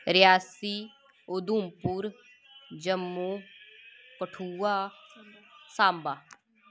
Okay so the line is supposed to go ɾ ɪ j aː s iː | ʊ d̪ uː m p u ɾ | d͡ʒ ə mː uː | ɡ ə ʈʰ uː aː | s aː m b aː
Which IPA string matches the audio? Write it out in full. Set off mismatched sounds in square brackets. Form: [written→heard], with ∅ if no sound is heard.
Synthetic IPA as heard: ɾ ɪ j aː s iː | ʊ d̪ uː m p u ɾ | d͡ʒ ə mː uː | [ɡ→k] ə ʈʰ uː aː | s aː m b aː